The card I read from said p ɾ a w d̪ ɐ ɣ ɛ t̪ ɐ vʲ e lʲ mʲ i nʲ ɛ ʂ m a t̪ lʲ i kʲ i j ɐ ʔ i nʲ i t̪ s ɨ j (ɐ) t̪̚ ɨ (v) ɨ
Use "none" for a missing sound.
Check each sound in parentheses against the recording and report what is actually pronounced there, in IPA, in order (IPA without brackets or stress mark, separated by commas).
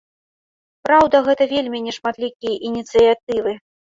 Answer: a, v